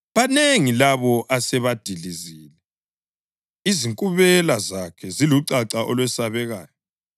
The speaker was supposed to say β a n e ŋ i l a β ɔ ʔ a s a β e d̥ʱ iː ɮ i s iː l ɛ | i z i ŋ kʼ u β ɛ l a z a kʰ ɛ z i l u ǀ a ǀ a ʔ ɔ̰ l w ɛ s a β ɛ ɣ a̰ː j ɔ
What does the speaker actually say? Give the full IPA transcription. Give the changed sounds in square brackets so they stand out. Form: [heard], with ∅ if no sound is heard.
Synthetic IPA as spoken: β a n e ŋ i l a β ɔ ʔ a s [ɛ] β [a] d̥ʱ [i] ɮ i [z] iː l ɛ | i z i ŋ kʼ u β ɛ l a z a kʰ ɛ z i l u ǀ a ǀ a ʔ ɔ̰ l w ɛ s a β ɛ ɣ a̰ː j ɔ